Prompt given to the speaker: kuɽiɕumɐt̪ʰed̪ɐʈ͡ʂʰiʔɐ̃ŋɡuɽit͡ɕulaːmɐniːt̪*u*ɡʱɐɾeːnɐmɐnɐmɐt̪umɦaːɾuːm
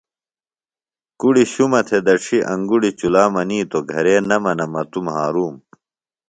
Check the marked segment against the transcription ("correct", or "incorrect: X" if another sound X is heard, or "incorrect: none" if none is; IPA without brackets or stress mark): incorrect: o